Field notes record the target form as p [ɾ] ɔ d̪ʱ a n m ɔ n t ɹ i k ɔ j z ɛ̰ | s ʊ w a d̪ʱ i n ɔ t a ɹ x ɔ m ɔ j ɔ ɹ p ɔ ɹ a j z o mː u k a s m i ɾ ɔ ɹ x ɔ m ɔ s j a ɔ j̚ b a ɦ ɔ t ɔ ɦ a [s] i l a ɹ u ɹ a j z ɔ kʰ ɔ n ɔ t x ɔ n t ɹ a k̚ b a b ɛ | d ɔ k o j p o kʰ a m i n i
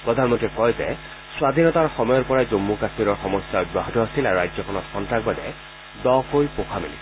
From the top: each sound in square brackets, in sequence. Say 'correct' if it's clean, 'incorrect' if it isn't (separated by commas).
incorrect, correct